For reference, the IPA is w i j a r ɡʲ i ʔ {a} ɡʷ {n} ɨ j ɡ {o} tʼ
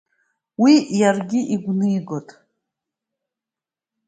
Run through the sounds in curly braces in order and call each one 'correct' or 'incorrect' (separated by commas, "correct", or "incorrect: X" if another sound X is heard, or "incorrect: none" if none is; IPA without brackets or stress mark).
incorrect: i, correct, correct